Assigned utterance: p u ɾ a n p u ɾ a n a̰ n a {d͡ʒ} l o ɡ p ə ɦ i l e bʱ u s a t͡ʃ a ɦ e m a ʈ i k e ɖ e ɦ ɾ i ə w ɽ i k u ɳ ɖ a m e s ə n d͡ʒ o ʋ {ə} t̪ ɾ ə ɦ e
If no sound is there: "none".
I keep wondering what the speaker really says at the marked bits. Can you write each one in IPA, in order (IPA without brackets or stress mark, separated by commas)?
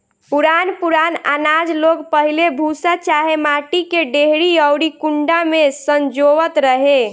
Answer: d͡ʒ, ə